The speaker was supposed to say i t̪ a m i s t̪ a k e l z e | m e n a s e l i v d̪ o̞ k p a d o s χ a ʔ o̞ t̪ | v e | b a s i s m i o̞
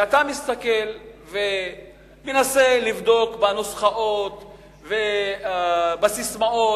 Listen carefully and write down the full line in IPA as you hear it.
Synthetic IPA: a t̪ a m i s t̪ a k e l v e | m e n a s e l i v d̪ o̞ k b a n o s χ a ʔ o̞ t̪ | v e | b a s i s m a o̞